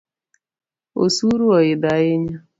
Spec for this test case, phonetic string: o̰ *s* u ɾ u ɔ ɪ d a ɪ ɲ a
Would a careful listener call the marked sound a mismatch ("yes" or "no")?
no